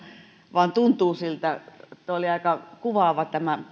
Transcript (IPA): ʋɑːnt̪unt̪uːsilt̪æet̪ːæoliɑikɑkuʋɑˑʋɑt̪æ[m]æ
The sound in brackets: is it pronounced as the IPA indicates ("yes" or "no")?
yes